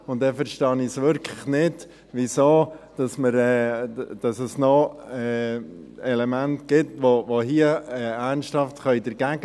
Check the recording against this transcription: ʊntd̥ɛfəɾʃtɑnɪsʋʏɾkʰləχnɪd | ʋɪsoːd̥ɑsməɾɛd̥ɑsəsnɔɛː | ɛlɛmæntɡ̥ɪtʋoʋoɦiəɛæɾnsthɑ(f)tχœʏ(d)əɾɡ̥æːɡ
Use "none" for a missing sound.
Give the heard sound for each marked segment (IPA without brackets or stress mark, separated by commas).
f, d